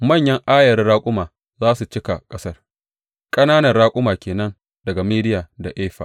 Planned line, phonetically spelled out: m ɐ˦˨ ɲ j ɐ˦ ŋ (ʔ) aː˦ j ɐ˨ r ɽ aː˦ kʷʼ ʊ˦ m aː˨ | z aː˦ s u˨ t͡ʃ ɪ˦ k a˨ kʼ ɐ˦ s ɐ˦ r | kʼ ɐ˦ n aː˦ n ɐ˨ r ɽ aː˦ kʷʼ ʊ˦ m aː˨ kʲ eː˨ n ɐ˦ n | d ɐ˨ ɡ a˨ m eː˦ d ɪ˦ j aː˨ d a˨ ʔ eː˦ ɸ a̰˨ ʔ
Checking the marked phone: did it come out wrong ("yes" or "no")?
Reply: no